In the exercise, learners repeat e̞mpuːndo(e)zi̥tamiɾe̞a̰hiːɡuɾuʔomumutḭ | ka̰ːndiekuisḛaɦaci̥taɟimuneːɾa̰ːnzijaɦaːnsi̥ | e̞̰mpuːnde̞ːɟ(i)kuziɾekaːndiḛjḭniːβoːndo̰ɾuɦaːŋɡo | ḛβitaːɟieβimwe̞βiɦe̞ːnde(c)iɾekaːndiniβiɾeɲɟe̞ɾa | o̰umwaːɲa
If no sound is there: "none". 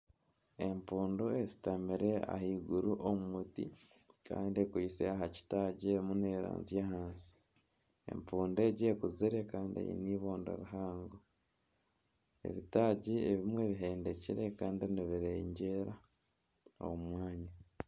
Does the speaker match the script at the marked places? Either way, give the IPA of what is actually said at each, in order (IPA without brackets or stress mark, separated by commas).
e, e, c